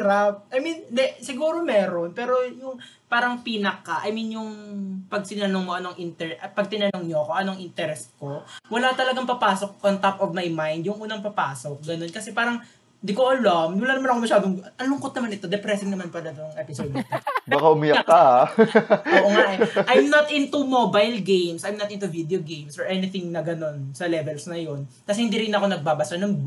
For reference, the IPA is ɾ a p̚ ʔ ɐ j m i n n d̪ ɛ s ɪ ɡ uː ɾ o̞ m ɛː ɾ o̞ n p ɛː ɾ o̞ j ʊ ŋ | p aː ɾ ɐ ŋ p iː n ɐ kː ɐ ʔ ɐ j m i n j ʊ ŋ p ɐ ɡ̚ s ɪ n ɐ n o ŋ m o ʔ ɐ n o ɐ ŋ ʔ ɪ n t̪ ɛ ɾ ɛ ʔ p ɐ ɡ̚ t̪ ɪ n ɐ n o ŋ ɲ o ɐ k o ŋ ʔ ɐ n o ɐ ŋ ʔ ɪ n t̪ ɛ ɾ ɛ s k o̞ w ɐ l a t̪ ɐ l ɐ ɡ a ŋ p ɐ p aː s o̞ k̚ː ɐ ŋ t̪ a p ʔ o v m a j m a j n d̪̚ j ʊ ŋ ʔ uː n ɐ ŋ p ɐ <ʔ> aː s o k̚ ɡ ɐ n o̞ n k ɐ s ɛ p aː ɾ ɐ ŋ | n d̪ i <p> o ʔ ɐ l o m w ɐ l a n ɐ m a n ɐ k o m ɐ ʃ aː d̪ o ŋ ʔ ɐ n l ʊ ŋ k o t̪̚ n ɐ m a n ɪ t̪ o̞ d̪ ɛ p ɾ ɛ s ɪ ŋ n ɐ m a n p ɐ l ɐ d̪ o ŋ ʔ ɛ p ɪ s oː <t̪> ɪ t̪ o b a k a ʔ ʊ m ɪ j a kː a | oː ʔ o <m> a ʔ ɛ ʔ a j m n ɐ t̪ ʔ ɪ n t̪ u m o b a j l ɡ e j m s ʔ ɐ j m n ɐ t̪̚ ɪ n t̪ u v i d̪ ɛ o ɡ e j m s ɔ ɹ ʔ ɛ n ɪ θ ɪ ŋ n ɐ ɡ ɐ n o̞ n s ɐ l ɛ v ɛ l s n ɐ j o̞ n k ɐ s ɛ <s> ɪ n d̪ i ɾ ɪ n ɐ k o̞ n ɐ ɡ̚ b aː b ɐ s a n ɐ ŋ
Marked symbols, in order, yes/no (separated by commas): no, no, no, no, no